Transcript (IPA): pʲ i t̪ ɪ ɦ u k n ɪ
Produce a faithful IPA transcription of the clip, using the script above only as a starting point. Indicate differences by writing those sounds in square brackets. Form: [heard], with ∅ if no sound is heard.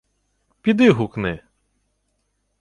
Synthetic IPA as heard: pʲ i [d̪] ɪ ɦ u k n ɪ